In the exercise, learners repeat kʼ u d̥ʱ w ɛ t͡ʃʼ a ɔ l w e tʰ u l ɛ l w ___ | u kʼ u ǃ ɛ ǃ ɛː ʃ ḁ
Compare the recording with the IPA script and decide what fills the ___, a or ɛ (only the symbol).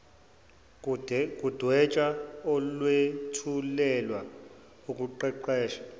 a